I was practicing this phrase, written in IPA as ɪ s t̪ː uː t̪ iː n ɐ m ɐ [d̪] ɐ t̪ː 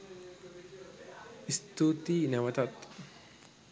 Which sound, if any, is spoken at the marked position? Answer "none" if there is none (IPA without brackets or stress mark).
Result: t̪